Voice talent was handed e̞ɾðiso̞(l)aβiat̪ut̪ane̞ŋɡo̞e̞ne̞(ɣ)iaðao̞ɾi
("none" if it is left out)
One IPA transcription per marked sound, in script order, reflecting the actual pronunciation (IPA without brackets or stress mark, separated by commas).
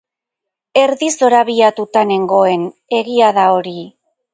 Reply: ɾ, ɣ